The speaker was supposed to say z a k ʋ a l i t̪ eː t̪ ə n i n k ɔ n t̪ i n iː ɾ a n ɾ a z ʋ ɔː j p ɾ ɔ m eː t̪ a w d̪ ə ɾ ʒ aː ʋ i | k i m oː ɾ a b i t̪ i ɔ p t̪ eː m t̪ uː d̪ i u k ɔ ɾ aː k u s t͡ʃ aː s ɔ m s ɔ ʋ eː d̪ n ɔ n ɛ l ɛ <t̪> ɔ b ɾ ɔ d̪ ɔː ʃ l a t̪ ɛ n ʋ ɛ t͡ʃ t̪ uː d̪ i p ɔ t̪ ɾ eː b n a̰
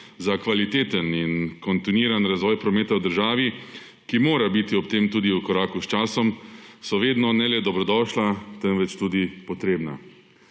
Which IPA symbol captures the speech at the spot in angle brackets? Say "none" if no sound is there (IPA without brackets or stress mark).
d̪